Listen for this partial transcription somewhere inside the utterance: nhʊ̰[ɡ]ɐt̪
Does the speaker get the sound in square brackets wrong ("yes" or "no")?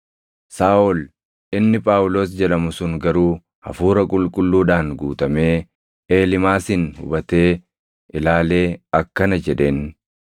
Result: yes